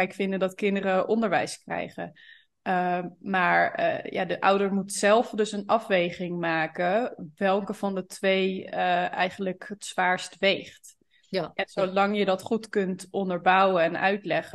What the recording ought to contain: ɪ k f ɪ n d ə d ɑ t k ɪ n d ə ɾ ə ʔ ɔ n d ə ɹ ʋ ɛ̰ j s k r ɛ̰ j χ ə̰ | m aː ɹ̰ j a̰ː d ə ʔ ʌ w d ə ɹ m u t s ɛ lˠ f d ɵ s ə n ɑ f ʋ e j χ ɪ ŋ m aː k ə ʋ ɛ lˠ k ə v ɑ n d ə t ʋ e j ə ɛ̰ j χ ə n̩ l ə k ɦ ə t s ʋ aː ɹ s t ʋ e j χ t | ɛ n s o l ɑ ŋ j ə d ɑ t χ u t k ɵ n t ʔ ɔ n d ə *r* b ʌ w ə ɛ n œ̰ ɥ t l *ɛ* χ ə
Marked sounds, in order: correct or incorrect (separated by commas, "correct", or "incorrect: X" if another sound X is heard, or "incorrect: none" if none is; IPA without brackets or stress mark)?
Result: incorrect: ɹ, correct